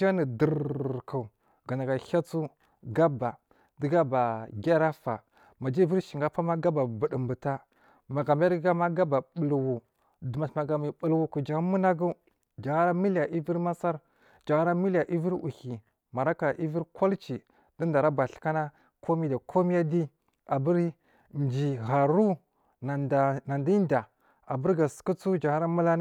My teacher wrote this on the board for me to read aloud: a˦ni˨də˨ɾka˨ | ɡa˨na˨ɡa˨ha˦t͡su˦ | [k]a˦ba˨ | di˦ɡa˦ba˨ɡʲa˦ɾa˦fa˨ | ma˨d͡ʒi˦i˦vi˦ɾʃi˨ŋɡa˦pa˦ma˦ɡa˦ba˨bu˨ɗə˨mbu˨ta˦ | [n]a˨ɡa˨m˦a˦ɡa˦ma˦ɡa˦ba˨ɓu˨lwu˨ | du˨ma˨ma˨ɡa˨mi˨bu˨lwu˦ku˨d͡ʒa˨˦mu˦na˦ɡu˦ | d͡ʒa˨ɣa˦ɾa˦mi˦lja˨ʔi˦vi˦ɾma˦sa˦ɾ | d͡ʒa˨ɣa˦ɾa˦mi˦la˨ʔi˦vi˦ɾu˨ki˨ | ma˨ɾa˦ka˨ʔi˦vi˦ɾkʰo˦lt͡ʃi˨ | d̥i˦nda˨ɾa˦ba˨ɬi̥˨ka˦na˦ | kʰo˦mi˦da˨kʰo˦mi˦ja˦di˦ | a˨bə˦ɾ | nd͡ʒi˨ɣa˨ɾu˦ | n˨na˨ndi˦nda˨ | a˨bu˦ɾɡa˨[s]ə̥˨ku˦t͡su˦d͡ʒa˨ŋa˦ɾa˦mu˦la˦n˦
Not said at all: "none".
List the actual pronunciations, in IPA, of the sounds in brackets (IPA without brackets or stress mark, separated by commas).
ɡ, m, s